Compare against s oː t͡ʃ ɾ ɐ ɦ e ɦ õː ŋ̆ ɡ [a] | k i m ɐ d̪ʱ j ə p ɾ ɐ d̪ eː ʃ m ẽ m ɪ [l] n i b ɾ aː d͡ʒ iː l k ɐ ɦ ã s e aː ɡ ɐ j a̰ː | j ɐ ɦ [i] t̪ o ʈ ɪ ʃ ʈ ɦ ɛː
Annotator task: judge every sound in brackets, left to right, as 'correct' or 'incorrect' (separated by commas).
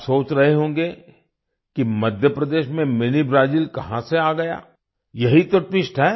incorrect, incorrect, correct